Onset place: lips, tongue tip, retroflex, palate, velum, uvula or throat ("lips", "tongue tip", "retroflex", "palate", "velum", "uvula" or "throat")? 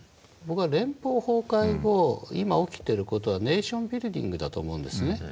lips